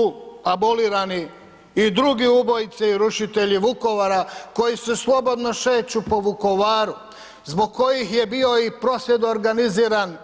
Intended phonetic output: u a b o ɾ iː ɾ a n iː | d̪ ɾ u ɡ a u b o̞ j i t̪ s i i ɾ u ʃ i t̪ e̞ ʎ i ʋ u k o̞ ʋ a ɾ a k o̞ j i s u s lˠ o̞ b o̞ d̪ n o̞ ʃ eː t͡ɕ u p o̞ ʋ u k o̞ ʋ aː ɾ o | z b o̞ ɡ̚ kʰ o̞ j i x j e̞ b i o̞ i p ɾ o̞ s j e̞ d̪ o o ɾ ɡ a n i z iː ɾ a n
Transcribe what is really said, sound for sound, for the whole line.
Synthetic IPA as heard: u a b o l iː ɾ a n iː | d̪ ɾ u ɡ i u b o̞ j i t̪ s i i ɾ u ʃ i t̪ e̞ ʎ i ʋ u k o̞ ʋ a ɾ a k o̞ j i s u s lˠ o̞ b o̞ d̪ n o̞ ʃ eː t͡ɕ u p o̞ ʋ u k o̞ ʋ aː ɾ u | z b o̞ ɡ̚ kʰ o̞ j i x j e̞ b i o̞ i p ɾ o̞ s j e̞ d̪ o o ɾ ɡ a n i z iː ɾ a n